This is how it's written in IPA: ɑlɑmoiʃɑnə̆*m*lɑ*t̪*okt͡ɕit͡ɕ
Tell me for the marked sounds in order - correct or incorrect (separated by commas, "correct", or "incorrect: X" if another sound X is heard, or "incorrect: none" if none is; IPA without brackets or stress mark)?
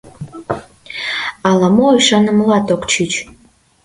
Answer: correct, correct